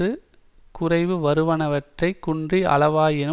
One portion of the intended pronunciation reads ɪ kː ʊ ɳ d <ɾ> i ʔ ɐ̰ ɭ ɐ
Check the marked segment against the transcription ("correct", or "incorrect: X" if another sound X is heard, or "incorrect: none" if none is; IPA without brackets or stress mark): incorrect: r